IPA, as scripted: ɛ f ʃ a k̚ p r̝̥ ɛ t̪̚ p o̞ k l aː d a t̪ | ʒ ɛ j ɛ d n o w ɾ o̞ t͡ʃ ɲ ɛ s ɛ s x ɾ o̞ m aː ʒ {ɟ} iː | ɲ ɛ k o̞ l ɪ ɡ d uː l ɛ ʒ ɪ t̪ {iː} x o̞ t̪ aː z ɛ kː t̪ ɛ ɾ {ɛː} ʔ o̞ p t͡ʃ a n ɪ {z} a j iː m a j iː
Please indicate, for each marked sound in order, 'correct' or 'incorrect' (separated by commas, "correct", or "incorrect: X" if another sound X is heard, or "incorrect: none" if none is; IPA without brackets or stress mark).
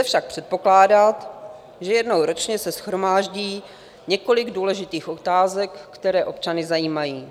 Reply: correct, correct, correct, correct